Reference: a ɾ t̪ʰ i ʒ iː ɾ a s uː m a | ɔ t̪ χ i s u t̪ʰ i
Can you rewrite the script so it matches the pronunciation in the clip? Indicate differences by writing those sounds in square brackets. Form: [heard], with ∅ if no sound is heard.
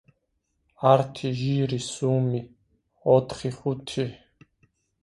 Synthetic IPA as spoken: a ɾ t̪ʰ i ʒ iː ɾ [i] s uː m [i] | ɔ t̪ χ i [χ] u t̪ʰ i